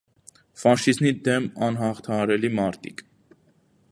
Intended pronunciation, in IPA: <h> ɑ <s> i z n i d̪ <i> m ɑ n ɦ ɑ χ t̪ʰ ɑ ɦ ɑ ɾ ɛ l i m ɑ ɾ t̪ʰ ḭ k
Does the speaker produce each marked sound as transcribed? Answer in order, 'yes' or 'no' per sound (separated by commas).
no, no, no